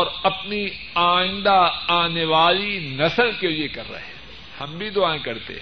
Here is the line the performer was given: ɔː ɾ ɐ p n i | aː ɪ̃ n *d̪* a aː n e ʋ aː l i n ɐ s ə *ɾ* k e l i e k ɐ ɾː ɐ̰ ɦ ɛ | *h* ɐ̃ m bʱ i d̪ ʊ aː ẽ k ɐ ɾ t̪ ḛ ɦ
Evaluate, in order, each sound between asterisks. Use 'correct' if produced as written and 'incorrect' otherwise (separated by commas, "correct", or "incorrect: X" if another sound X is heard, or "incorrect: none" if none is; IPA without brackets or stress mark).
correct, incorrect: l, correct